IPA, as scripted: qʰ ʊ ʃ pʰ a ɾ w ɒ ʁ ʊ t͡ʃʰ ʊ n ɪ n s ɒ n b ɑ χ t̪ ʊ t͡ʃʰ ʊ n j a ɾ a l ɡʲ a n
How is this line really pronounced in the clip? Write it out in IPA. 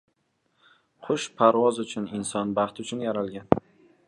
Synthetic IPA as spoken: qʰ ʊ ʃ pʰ a ɾ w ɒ z ʊ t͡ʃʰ ʊ n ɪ n s ɒ n b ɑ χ t̪ ʊ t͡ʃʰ ʊ n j a ɾ a l ɡʲ a n